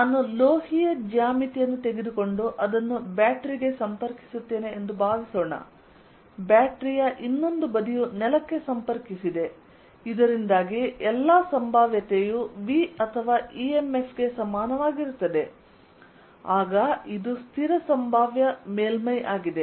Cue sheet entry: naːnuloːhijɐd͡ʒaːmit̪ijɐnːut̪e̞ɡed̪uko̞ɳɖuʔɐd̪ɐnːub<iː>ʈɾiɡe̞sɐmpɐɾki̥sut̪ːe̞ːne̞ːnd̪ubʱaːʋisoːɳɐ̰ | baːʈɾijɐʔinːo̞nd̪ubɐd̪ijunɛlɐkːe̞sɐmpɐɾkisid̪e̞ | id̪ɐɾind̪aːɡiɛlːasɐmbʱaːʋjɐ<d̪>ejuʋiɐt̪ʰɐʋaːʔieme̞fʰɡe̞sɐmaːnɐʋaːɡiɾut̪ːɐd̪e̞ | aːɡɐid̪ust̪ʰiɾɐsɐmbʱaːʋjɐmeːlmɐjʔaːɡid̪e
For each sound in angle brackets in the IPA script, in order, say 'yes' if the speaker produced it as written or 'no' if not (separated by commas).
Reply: no, no